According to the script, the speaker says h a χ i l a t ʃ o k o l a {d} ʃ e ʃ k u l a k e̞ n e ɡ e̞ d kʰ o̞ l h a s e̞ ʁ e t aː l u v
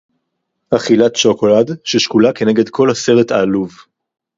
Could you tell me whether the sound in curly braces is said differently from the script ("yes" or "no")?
no